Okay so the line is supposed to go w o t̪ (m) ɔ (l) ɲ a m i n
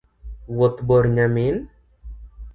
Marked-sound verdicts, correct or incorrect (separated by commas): incorrect, incorrect